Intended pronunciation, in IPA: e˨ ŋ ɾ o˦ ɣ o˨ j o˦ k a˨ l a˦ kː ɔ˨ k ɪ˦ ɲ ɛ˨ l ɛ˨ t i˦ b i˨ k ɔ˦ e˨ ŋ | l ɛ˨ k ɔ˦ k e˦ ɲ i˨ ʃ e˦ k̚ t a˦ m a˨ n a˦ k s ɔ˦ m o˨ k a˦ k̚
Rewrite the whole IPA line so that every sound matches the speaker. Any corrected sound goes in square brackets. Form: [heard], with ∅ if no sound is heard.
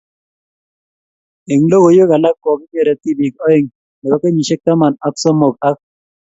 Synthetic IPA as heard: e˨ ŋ [l] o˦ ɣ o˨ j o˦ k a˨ l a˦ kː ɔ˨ k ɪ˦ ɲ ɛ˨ [ɾ] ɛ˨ t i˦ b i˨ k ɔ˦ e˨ ŋ | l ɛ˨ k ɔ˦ k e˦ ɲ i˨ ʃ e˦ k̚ t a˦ m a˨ n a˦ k s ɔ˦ m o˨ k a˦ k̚